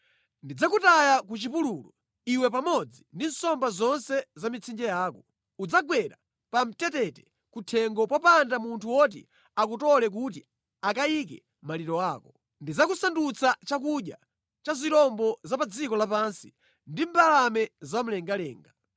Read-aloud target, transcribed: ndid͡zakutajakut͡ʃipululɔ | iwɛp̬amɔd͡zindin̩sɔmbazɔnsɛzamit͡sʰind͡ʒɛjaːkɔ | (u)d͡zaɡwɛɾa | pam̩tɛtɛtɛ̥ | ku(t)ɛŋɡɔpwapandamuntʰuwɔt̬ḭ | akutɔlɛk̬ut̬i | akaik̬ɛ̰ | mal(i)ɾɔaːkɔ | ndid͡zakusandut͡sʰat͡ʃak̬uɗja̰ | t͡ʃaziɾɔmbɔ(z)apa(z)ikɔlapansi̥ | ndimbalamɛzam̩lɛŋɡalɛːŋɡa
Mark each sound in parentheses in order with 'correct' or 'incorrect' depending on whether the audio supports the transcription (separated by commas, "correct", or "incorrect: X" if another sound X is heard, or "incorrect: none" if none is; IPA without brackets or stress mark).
correct, incorrect: tʰ, correct, correct, incorrect: d͡z